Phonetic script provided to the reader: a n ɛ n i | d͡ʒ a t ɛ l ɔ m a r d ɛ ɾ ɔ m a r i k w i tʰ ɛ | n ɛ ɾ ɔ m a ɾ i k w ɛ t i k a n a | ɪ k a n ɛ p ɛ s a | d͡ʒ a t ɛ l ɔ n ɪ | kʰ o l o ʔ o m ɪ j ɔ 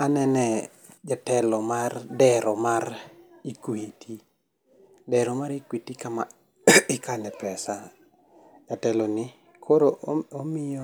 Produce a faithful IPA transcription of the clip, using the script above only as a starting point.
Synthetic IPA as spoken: a n ɛ n ɛ | d͡ʒ a t ɛ l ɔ m a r d ɛ ɾ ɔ m a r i k w i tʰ i | d ɛ ɾ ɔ m a ɾ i k w i t i k a m a | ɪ k a n ɛ p ɛ s a | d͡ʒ a t ɛ l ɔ n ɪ | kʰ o ɾ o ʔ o m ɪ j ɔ